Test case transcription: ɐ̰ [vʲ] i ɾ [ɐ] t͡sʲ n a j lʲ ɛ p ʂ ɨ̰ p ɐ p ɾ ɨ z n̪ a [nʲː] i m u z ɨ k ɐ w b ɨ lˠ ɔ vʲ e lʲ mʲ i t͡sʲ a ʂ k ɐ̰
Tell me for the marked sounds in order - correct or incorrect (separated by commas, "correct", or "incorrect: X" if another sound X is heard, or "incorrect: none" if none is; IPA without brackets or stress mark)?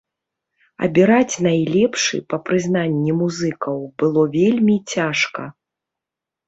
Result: incorrect: bʲ, incorrect: a, correct